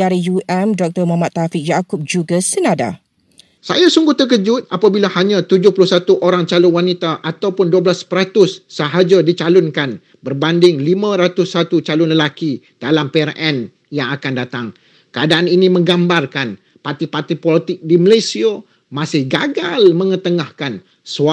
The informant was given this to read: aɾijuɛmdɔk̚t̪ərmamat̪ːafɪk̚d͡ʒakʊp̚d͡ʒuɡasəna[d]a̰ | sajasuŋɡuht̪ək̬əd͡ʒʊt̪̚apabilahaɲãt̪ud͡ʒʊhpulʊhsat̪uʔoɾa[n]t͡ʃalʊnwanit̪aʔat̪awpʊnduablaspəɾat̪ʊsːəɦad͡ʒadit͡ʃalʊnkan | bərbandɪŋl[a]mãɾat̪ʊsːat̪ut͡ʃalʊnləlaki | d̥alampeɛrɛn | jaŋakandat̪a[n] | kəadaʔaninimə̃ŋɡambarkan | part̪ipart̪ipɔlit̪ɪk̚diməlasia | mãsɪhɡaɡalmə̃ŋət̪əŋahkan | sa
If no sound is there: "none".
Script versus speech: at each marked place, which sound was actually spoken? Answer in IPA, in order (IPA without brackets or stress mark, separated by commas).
d, ŋ, i, ŋ